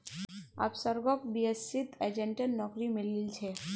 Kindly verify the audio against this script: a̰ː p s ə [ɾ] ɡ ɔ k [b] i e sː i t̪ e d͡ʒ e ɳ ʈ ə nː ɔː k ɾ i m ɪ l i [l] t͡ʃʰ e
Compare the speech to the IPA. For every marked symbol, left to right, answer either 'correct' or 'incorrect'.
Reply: correct, correct, correct

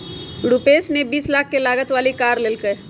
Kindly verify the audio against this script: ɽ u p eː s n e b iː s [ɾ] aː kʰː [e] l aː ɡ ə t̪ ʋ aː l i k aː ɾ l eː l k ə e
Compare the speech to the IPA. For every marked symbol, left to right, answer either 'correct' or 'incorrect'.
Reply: incorrect, correct

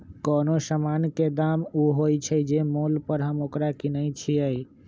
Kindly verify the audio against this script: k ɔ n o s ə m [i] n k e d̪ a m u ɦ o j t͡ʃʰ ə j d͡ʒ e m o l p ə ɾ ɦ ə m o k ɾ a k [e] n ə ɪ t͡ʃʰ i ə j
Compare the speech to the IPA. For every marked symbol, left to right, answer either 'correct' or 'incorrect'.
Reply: incorrect, incorrect

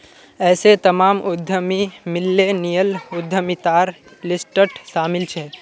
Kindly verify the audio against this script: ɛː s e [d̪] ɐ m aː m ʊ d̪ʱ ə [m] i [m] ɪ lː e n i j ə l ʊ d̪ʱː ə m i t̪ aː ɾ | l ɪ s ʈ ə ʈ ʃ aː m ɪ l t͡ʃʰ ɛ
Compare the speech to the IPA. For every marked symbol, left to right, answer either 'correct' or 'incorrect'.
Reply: incorrect, correct, correct

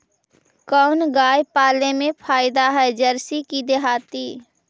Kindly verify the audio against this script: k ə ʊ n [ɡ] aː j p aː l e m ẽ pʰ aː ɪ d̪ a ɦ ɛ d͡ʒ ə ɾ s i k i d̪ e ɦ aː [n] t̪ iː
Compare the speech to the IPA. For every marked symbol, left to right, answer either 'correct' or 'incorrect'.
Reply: correct, incorrect

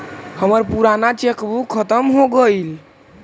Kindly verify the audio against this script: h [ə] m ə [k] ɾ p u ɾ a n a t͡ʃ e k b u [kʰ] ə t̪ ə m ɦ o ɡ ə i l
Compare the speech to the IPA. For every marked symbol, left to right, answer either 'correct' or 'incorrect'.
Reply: correct, incorrect, correct

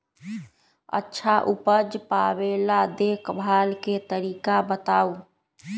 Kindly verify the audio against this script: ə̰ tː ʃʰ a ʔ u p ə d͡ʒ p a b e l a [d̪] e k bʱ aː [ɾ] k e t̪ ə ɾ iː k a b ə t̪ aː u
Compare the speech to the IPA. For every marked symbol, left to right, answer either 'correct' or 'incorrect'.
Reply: correct, incorrect

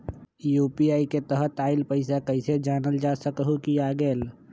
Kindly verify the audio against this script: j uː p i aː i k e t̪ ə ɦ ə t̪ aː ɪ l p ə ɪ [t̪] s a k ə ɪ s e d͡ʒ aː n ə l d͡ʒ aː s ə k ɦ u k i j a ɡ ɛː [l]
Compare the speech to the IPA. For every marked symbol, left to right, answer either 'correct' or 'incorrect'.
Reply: incorrect, correct

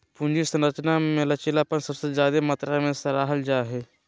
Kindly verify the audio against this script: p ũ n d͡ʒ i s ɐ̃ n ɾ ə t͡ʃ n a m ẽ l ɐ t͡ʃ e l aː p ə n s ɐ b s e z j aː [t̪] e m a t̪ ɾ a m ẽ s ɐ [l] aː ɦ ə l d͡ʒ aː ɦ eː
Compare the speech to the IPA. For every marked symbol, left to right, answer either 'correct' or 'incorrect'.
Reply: incorrect, incorrect

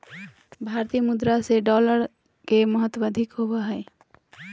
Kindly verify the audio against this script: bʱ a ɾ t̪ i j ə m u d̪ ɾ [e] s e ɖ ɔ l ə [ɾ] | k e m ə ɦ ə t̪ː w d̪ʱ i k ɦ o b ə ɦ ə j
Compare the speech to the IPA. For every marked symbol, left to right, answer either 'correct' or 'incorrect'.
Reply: incorrect, correct

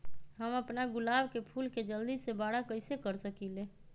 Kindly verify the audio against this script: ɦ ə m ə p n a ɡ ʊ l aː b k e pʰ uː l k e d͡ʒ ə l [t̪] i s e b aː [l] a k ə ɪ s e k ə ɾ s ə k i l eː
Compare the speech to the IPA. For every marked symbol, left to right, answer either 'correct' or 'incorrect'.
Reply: incorrect, incorrect

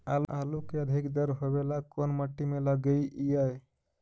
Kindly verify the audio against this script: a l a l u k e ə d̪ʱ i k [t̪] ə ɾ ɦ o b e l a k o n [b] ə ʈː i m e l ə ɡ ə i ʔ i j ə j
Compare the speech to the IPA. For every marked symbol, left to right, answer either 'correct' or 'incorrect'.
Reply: incorrect, incorrect

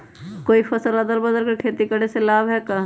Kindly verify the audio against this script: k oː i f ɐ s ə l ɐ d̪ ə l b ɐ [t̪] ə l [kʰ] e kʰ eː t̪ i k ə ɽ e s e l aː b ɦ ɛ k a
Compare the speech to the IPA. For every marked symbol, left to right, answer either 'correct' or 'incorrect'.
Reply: incorrect, incorrect

